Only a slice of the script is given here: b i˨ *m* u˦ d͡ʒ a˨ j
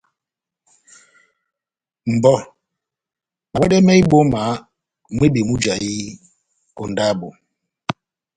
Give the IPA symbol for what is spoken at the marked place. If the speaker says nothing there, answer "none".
m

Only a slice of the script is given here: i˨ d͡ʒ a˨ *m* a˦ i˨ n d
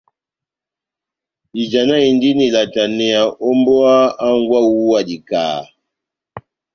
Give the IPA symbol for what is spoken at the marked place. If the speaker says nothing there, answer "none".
n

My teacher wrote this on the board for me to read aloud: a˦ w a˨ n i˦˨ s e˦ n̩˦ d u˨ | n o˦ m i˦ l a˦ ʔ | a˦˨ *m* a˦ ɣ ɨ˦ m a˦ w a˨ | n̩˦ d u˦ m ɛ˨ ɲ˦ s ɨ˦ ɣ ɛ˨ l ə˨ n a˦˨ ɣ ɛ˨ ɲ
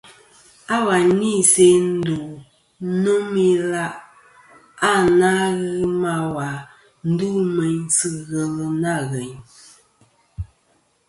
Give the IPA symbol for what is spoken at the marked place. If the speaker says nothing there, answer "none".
n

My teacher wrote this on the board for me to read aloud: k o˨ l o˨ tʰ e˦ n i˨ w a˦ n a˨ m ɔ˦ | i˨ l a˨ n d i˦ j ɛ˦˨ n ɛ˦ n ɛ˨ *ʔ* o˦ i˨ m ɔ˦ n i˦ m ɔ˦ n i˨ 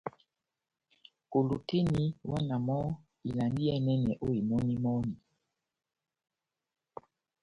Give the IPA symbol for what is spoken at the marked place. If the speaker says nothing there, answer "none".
ʔ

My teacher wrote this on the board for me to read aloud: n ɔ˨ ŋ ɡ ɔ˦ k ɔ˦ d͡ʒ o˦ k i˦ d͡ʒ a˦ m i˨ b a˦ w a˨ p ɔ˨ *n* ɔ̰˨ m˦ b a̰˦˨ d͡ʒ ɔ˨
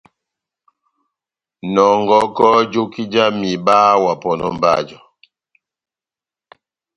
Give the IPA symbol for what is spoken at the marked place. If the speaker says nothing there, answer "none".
n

